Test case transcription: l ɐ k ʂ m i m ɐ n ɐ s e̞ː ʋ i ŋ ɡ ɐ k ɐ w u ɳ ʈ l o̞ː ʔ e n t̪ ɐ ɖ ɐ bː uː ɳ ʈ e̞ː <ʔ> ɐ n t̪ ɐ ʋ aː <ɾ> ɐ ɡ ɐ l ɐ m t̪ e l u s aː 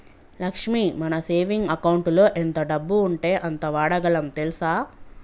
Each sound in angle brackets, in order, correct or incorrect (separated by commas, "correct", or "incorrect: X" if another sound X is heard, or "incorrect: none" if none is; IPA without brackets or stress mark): correct, incorrect: ɽ